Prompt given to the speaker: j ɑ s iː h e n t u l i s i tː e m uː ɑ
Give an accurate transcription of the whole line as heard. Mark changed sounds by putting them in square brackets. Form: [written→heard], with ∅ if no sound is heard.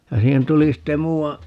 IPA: j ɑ s iː h e n t u l i s i tː e m uː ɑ